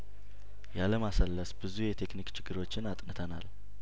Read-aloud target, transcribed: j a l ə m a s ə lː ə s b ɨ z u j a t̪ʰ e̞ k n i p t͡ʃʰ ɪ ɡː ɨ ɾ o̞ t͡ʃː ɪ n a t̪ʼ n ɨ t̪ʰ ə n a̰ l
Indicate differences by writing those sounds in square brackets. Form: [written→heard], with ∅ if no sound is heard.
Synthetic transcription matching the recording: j a l ə m a s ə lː ə s b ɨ z u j [a→ɛ] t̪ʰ e̞ k n i [p→k] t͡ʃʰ ɪ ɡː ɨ ɾ o̞ t͡ʃː ɪ n a t̪ʼ n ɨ t̪ʰ ə n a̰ l